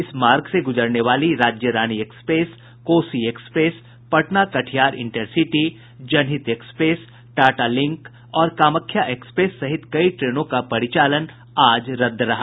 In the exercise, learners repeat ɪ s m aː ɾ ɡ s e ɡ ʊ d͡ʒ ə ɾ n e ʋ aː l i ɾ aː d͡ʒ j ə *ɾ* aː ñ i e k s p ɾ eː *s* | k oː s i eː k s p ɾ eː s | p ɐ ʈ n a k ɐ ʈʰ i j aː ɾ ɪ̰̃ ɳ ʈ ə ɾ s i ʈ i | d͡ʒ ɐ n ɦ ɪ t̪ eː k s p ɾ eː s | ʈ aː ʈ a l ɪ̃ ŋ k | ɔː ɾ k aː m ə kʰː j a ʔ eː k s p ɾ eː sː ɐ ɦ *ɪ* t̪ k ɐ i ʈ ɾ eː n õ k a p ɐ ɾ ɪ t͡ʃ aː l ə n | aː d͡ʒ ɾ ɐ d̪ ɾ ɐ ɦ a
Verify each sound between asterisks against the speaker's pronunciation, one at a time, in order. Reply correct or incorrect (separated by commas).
correct, correct, correct